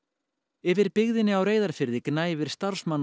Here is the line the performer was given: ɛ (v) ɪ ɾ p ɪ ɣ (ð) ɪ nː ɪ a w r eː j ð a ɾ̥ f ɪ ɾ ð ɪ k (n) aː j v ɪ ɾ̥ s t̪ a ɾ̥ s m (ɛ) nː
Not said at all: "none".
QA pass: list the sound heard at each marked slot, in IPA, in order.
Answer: v, ð, n, a

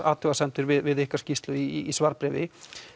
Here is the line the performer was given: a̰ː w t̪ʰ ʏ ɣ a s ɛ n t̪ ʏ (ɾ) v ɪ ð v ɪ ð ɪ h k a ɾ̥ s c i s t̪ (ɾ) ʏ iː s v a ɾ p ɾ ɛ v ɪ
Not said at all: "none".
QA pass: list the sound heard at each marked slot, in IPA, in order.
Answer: ɾ, l

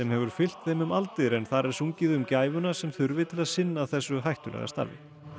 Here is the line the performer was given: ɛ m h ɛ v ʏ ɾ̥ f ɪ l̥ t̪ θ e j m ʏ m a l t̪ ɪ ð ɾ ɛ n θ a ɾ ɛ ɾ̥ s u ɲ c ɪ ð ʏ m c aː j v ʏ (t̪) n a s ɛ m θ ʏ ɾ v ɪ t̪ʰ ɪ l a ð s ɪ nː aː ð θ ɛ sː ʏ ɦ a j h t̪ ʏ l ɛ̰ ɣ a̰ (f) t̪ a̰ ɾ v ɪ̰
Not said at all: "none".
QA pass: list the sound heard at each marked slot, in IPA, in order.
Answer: none, s

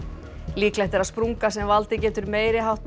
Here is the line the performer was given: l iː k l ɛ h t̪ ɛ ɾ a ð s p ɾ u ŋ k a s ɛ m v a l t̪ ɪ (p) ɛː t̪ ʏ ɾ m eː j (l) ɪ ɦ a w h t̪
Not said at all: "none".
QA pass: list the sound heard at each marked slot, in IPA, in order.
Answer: c, ɾ

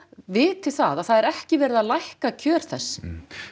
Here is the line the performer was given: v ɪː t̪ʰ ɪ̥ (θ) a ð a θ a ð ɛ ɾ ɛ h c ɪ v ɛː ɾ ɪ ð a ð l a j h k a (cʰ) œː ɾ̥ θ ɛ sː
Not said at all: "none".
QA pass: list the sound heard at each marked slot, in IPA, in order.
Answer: θ, cʰ

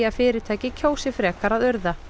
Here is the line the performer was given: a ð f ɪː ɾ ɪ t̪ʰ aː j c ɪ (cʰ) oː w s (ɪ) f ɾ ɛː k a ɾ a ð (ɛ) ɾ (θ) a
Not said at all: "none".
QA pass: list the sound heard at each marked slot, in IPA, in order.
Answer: cʰ, ɪ, œ, ð

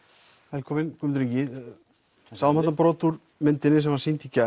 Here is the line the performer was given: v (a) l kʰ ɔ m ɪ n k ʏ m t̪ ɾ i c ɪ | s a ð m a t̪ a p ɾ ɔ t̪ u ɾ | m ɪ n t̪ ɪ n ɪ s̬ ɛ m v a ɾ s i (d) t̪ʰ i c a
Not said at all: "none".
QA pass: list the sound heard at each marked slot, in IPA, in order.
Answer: ɛ, n

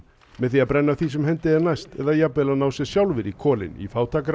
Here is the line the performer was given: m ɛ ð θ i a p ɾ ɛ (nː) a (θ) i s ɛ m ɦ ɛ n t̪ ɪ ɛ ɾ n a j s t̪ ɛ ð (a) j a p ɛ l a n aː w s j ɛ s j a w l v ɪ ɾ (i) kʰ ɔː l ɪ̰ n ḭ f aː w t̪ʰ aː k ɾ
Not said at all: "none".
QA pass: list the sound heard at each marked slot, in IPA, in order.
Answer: nː, θ, a, i

